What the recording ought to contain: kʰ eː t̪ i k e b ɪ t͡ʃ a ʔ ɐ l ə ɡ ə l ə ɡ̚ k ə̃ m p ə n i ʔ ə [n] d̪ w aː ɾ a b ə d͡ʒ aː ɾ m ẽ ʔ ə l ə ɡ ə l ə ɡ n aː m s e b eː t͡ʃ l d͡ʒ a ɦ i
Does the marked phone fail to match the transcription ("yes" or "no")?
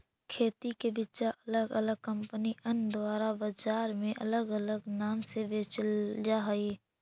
no